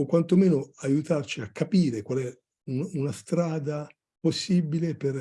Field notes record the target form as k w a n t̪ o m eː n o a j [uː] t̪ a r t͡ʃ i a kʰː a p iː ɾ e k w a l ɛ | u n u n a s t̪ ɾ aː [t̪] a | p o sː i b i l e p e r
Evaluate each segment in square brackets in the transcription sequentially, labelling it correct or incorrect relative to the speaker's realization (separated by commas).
incorrect, incorrect